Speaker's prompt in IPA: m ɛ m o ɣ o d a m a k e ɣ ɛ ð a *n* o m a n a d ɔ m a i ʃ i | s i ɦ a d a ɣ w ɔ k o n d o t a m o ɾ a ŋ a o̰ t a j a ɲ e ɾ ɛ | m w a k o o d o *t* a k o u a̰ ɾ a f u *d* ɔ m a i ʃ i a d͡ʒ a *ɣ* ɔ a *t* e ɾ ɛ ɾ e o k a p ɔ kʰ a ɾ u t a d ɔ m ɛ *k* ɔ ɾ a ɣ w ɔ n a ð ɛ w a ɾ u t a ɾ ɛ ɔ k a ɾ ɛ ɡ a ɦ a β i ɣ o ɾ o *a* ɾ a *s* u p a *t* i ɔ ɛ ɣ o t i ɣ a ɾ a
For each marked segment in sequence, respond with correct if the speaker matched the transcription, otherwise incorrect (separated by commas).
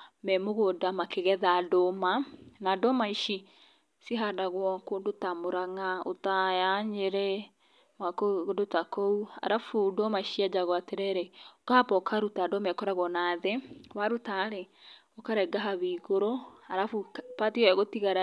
incorrect, correct, correct, correct, correct, correct, correct, incorrect, correct